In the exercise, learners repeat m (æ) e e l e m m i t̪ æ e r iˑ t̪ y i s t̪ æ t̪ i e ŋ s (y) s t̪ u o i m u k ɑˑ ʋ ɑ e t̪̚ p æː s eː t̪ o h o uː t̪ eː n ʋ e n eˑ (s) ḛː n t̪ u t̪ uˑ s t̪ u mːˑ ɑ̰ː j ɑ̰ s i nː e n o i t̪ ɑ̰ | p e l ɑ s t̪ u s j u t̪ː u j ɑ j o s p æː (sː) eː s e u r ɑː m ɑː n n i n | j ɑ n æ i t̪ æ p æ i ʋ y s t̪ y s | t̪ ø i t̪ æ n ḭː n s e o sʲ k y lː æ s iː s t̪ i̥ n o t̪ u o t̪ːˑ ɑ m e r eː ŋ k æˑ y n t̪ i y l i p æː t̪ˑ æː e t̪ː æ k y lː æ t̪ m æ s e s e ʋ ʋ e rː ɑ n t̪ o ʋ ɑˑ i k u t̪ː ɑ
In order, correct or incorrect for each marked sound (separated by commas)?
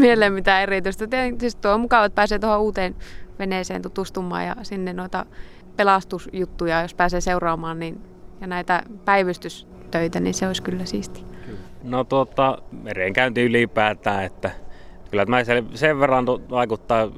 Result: incorrect, incorrect, correct, incorrect